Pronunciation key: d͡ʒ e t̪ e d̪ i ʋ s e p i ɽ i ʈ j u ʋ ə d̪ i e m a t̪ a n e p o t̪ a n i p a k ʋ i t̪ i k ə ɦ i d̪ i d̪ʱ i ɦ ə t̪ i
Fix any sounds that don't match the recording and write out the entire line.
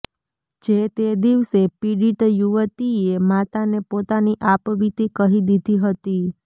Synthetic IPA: d͡ʒ e t̪ e d̪ i ʋ s e p i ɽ i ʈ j u ʋ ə t̪ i e m a t̪ a n e p o t̪ a n i ʔ a p ʋ i t̪ i k ə ɦ i d̪ i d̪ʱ i ɦ ə t̪ i